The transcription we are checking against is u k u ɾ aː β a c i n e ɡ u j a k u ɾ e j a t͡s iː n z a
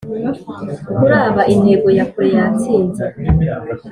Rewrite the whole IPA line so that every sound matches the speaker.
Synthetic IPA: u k u ɾ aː β a ʔ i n e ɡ o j a k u ɾ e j a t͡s iː n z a